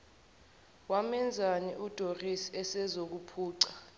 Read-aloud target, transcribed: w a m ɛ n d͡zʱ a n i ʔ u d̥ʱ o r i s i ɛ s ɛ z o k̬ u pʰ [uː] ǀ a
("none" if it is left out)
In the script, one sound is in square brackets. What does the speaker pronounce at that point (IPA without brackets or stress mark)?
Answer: uː